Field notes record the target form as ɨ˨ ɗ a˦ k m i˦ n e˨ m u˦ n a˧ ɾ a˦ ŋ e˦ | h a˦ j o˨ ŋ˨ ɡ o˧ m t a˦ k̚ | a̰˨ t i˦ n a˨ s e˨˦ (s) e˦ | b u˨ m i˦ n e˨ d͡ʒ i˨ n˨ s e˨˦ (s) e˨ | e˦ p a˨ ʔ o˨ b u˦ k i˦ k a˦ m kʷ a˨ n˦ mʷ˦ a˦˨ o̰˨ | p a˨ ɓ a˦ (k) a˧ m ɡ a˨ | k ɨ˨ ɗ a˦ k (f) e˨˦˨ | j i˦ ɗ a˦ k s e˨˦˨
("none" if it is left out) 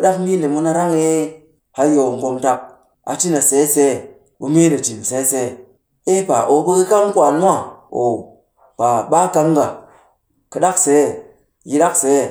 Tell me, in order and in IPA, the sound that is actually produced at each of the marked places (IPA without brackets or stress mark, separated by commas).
s, s, k, s